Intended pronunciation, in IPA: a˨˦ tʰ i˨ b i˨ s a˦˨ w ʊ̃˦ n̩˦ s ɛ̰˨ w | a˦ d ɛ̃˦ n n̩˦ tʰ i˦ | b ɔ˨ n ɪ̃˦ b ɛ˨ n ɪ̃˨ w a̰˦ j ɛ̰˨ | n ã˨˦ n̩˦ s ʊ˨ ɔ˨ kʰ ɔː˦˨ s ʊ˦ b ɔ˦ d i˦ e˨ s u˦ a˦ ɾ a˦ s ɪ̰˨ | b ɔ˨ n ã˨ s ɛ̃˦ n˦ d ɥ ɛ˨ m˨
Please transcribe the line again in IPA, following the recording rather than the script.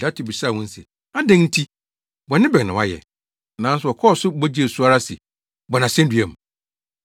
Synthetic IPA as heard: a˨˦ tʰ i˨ b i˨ s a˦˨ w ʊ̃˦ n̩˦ s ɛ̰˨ | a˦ d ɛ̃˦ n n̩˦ tʰ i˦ | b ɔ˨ n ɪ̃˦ b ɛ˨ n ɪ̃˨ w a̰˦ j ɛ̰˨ | n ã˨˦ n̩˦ s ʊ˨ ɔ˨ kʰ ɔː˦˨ s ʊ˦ b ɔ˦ d͡ʑ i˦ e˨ s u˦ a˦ ɾ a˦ s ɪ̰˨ | b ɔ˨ n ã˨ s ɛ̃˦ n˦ d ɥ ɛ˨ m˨

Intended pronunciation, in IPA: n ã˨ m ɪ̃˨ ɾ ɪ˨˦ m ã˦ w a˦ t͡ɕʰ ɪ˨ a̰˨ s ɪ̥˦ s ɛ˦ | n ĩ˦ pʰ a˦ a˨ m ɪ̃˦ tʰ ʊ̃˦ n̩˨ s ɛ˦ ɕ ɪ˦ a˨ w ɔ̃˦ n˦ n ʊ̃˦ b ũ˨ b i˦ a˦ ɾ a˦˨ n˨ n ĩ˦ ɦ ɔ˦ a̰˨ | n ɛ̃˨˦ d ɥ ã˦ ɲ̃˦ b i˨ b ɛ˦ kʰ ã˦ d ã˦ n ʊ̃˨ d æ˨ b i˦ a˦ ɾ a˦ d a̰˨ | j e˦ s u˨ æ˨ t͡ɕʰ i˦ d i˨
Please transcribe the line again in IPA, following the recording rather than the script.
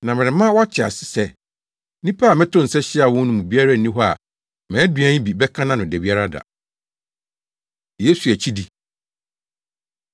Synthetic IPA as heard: n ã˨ m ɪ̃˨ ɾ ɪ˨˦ m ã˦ w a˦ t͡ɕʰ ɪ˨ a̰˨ s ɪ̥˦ s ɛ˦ | n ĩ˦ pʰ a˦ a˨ m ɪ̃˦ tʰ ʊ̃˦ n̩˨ s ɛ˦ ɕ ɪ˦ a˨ w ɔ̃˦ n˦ n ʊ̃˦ m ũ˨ b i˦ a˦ ɾ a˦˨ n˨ n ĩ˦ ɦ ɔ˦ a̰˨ | m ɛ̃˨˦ d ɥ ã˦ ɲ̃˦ b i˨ b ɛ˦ kʰ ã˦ n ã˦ n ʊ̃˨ d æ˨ b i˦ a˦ ɾ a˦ d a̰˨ | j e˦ s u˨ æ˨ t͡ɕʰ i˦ d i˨

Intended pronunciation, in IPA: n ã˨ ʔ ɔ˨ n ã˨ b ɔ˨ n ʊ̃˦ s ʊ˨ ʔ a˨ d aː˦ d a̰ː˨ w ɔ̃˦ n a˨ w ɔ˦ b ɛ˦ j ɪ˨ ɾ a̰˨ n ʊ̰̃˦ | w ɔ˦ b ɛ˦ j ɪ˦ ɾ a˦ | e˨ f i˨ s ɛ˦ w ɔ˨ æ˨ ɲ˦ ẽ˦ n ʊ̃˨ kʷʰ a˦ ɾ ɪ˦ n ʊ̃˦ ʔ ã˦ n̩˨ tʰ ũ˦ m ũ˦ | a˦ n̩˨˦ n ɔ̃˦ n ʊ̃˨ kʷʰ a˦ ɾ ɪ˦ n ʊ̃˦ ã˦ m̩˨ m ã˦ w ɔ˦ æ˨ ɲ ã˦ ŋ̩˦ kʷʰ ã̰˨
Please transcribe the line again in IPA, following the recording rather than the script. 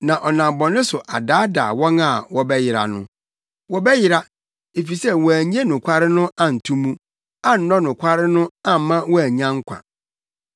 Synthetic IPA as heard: n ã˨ ʔ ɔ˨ n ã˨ b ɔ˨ n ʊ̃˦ s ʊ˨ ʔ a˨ d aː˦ d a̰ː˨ w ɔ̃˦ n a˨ w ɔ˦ b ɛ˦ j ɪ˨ ɾ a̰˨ n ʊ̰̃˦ | w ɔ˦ b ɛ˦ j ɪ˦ ɾ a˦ | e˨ f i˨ s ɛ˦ w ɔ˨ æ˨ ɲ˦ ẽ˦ n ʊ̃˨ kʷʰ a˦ ɾ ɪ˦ n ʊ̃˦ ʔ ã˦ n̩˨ tʰ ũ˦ m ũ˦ | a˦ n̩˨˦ n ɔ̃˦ n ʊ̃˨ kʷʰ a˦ ɾ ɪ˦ n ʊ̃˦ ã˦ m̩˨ m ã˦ w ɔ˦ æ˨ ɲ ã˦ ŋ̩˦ kʷʰ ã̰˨

